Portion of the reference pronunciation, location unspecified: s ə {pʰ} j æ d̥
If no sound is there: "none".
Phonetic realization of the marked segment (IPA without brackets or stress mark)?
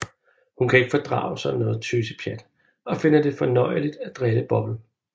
pʰ